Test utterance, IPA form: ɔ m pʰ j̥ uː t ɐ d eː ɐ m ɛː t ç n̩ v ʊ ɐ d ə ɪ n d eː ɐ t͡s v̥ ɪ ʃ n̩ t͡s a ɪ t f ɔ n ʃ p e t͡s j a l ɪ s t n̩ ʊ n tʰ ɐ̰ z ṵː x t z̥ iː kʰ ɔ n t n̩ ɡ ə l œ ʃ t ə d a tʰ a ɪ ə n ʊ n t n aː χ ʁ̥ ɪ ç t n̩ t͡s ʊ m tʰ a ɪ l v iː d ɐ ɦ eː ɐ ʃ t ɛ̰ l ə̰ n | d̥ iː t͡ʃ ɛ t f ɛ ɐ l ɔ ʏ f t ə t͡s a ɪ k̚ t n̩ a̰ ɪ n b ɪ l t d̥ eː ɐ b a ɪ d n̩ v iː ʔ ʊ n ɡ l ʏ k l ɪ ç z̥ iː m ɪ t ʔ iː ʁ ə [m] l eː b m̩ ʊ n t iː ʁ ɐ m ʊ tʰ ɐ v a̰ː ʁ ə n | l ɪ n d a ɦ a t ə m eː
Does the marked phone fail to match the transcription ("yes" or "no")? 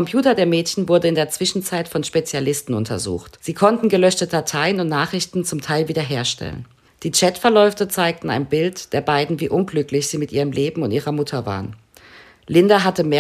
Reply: no